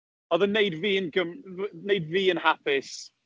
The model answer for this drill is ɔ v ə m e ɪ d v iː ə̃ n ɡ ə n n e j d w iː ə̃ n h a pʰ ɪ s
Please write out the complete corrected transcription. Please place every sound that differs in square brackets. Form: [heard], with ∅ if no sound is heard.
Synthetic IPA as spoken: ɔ [ð] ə [n] e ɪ d v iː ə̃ n ɡ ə [m] n e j d [v] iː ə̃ n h a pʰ ɪ s